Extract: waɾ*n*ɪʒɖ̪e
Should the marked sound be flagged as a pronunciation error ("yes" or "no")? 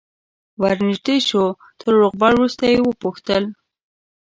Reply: no